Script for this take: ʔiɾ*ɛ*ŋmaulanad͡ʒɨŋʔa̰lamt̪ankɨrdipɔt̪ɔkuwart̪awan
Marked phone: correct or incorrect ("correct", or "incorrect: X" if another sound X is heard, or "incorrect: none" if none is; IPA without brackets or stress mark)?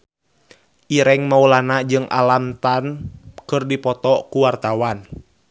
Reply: correct